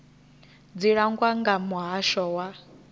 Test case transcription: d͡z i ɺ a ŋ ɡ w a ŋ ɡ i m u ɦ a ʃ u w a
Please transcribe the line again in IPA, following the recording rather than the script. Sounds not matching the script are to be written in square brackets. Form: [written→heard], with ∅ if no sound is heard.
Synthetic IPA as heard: d͡z i ɺ a ŋ ɡ w a ŋ ɡ [i→a] m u ɦ a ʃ [u→ɔ] w a

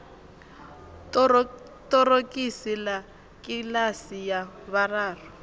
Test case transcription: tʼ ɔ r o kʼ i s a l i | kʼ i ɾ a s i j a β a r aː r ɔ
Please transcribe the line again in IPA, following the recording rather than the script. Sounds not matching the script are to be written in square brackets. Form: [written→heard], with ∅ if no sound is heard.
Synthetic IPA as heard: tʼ ɔ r o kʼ i s [a→i] l [i→a] | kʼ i [ɾ→l] a s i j a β a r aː r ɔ

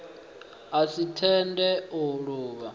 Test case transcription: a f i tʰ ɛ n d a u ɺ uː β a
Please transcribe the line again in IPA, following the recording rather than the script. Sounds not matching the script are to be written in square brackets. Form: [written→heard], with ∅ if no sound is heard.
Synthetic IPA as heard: a [f→s] i tʰ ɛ n d [a→ɛ] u ɺ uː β a

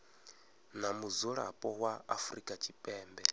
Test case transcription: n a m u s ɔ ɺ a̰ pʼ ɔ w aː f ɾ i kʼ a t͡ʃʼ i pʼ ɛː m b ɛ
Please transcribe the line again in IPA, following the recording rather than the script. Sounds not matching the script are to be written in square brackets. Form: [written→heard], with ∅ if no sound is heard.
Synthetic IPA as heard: n a m u [s→z] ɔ ɺ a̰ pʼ ɔ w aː f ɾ i kʼ a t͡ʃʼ i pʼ ɛː m b ɛ

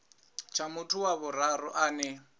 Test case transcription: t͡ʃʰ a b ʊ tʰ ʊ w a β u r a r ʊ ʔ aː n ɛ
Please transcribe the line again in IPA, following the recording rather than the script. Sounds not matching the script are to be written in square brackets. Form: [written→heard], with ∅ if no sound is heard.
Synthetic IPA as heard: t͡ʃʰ a [b→m] ʊ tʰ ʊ w a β [u→ʊ] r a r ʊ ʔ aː n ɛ

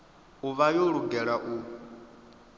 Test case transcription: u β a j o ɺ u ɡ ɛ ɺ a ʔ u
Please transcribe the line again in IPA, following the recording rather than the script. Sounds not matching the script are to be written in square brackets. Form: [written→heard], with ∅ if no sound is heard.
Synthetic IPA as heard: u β a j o ɺ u ɡ ɛ ɺ a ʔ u

